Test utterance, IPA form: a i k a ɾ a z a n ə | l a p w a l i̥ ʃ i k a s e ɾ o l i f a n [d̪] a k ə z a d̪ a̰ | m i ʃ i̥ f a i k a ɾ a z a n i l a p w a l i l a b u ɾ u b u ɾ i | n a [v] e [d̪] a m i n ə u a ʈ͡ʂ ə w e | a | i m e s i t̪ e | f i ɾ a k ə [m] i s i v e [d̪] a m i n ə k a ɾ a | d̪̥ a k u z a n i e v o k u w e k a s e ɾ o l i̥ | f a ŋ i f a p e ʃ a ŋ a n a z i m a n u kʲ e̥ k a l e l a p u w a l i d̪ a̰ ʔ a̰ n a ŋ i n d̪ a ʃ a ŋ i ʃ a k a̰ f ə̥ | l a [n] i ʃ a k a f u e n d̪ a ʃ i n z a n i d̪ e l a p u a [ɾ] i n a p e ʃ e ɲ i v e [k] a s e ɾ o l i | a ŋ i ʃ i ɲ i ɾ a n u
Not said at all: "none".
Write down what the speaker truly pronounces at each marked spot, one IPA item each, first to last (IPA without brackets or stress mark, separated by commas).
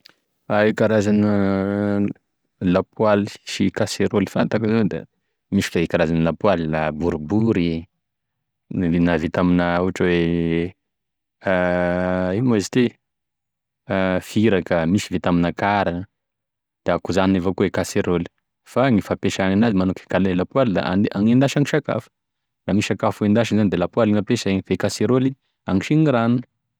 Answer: t̪, v, t̪, m, t̪, m, l, k